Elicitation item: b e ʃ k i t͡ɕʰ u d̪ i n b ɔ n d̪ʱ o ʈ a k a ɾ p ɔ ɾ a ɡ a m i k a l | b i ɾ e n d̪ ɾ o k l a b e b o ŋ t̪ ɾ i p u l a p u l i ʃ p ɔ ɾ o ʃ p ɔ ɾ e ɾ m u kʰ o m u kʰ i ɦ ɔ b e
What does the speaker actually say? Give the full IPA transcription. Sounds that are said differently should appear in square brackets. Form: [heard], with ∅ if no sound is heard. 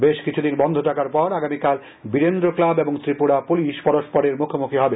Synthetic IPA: b e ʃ k i t͡ɕʰ u d̪ i n b ɔ n d̪ʱ o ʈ a k a ɾ p ɔ ɾ a ɡ a m i k a l | b i ɾ e n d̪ ɾ o k l a b e b o ŋ t̪ ɾ i p u [ɽ] a p u l i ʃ p ɔ ɾ o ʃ p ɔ ɾ e ɾ m u kʰ o m u kʰ i ɦ ɔ b e